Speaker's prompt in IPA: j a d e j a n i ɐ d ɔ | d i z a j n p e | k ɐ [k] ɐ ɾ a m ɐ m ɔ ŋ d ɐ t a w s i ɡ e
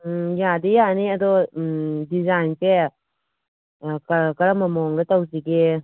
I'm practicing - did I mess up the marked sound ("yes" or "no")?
no